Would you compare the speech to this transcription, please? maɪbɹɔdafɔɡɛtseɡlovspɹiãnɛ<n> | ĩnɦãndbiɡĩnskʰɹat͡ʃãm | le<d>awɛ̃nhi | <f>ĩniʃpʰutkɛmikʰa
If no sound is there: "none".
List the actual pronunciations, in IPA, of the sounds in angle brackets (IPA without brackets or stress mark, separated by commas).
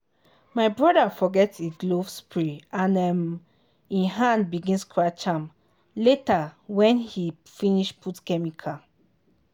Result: m, t, f